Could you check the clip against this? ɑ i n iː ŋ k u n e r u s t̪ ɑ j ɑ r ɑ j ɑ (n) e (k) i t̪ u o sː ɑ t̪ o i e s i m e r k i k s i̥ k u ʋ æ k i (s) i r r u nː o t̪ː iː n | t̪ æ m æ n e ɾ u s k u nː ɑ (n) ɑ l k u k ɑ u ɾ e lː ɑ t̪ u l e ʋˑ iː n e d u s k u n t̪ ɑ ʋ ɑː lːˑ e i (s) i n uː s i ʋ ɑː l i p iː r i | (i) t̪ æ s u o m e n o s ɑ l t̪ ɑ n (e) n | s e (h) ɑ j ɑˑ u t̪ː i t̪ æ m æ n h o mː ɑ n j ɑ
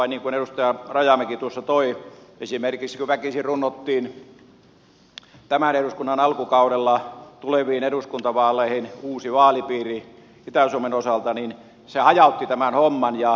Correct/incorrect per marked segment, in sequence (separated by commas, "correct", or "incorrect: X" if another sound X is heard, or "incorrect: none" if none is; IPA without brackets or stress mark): incorrect: m, correct, correct, correct, incorrect: h, correct, incorrect: i, correct